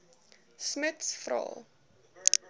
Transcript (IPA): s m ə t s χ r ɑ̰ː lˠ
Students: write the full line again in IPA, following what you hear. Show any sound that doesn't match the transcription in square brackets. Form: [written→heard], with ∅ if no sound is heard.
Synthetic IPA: s m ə t s [χ→f] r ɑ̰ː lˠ